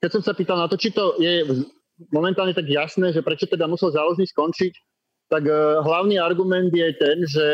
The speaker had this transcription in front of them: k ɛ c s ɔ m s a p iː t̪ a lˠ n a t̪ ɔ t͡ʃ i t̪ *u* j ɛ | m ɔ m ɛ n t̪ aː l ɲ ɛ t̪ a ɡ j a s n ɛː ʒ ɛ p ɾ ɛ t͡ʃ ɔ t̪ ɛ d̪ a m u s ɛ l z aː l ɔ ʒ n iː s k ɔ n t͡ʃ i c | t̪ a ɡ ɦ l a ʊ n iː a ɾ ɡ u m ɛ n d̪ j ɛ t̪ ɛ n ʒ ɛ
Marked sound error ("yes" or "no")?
yes